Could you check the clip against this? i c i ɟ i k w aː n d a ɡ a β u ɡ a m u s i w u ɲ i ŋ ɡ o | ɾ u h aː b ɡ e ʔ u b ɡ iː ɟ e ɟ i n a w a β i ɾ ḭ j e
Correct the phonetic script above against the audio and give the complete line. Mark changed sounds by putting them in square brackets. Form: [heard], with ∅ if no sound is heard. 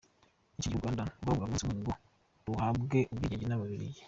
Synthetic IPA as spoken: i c i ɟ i [ɡ] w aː n d a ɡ a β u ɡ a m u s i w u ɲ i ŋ ɡ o | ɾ u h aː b ɡ e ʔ u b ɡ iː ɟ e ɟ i n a [β] a β i ɾ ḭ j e